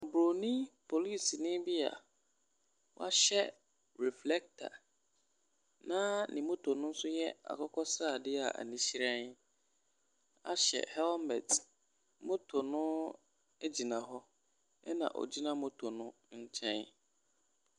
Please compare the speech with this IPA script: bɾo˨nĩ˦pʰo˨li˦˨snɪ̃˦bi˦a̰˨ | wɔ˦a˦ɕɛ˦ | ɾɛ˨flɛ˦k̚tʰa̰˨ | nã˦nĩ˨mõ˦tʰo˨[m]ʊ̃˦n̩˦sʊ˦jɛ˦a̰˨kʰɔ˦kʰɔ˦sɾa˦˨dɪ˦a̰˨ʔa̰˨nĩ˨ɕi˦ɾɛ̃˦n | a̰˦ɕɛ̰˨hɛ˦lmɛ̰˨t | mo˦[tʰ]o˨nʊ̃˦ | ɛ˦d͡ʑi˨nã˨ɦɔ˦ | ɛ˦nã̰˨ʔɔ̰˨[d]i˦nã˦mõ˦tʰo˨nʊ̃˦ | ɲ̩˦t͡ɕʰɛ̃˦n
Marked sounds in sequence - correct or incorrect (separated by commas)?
incorrect, correct, incorrect